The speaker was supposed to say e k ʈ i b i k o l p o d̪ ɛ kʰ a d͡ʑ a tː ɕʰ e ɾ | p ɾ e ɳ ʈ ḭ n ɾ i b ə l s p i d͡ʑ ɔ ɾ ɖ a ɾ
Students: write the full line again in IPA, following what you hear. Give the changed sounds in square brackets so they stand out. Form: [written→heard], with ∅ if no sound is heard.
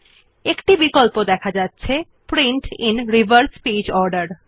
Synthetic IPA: e k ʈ i b i k o l p o d̪ ɛ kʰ a d͡ʑ a tː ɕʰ e [ɾ→∅] | p ɾ [e→i] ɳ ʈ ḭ n ɾ i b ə [l→ɾ] s p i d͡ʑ ɔ ɾ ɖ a ɾ